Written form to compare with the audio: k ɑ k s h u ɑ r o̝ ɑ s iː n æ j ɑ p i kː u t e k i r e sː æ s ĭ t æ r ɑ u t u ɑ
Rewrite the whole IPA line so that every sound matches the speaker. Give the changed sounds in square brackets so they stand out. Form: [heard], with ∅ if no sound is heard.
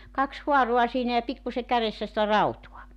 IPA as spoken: k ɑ k s h u ɑ r o̝ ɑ s iː n æ j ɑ p i kː u [s] e k [æ] r e sː æ s ĭ t æ r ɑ u t u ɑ